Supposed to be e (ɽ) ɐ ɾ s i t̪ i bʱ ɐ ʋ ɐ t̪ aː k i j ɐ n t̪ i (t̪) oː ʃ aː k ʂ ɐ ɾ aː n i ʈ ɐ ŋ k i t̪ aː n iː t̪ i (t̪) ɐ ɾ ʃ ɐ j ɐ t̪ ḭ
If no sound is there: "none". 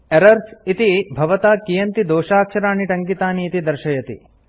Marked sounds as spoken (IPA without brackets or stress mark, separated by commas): ɾ, d̪, d̪